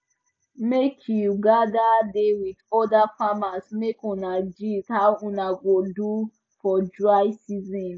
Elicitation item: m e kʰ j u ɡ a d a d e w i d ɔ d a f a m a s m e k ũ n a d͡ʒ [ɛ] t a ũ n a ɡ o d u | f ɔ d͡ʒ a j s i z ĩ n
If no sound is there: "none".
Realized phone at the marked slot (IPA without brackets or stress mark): i